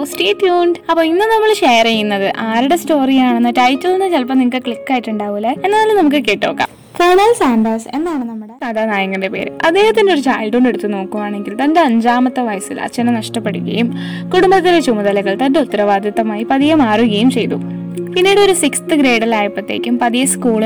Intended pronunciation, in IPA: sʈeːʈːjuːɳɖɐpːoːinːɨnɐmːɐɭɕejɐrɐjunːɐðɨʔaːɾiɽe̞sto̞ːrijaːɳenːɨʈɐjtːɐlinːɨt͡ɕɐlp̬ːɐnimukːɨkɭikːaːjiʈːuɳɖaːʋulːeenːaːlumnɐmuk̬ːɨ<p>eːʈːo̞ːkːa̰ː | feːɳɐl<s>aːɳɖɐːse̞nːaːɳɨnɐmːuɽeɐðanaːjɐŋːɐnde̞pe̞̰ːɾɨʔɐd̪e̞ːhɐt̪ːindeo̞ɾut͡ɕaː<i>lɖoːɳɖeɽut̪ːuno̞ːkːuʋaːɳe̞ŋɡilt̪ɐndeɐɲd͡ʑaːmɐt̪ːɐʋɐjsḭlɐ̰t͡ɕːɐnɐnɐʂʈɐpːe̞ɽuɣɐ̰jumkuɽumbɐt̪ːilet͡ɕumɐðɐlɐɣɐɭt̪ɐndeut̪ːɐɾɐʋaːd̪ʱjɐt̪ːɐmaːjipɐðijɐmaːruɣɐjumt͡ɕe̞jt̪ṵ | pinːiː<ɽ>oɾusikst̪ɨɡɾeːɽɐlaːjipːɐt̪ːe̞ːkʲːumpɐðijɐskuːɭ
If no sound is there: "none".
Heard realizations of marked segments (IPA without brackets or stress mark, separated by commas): k, s, j, ɽ